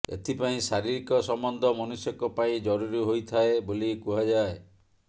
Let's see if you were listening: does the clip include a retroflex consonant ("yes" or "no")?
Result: no